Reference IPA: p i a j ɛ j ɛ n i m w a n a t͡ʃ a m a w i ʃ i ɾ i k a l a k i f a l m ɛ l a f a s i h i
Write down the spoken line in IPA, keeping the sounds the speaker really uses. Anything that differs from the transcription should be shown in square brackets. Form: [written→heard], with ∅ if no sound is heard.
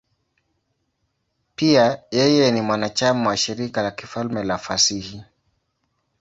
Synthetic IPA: p i a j ɛ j ɛ n i m w a n a t͡ʃ a m a w [i→a] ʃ i ɾ i k a l a k i f a l m ɛ l a f a s i h i